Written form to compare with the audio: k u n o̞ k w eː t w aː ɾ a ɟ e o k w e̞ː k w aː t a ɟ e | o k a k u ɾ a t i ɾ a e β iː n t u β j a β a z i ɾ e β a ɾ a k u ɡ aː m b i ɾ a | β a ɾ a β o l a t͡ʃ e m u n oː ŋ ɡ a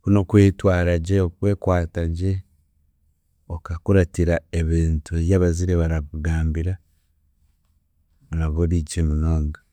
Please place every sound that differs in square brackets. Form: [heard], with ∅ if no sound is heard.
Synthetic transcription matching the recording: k u n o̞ k w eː t w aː ɾ a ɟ e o k w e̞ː k w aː t a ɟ e | o k a k u ɾ a t i ɾ a e β iː n t u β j a β a z i ɾ e β a ɾ a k u ɡ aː m b i ɾ a | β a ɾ a β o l [i] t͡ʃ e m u n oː ŋ ɡ a